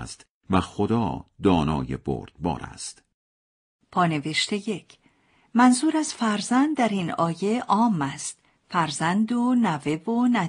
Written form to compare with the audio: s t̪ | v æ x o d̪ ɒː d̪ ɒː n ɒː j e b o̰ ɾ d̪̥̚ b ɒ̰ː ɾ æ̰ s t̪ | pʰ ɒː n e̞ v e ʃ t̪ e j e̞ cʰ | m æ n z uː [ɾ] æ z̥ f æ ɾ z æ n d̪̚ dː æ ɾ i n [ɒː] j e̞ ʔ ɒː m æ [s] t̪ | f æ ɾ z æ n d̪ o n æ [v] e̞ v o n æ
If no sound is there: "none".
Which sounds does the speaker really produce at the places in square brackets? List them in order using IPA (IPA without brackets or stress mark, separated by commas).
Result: ɾ, ɒː, s, v